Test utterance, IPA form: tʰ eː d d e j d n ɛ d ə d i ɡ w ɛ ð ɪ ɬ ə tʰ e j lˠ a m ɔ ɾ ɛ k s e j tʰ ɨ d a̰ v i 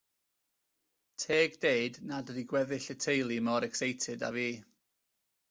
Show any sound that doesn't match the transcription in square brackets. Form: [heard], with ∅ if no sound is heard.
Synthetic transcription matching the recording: tʰ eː [ɡ] d e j d n [a] d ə d i ɡ w ɛ ð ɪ ɬ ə tʰ e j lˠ [i] m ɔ ɾ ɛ k s e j tʰ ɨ d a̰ v [iː]